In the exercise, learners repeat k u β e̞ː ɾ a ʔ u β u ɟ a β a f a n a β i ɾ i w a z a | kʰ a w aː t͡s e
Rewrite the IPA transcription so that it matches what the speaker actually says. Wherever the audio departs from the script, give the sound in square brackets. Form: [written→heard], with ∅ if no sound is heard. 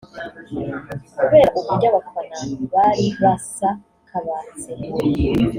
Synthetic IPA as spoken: k u β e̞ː ɾ a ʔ u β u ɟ a β a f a n a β [i→a] ɾ i [w→β] a [z→s] a | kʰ a [w→β] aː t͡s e